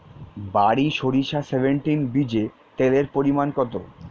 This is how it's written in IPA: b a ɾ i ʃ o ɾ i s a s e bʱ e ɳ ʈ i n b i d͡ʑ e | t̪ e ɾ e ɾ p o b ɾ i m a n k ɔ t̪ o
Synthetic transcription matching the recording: b a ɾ i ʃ o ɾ i ʃ a s e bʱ e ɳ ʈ i n b i d͡ʑ e | t̪ e l e ɾ p o ɾ i m a n k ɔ t̪ o